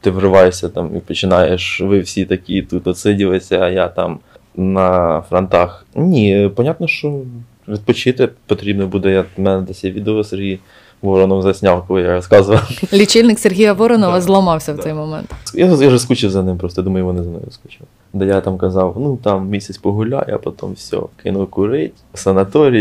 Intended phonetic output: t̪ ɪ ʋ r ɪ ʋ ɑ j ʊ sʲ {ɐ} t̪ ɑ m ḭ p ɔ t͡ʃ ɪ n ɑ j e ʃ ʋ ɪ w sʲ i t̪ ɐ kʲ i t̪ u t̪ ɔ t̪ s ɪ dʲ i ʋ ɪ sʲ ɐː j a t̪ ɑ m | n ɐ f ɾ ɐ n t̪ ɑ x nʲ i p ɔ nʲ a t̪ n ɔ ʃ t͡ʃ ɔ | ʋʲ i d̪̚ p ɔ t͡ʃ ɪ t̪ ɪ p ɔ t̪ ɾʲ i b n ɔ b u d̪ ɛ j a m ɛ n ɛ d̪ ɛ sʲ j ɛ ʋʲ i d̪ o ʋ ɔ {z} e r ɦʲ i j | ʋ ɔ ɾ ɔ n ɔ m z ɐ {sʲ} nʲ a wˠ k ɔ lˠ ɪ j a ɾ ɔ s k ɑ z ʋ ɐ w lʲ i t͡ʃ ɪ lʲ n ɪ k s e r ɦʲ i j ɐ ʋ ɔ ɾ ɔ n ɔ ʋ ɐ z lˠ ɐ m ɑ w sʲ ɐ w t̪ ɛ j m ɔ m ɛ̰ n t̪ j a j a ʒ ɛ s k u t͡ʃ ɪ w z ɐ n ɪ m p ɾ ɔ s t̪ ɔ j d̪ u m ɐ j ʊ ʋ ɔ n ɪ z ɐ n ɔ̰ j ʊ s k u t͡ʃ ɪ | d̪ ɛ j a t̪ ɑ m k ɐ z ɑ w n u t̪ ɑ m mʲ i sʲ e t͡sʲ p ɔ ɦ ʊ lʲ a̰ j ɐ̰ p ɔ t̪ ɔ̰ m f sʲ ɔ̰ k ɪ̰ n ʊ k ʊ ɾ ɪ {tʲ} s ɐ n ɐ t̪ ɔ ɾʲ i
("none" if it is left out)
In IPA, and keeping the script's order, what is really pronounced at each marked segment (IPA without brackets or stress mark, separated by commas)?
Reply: ɐ, s, sʲ, tʲ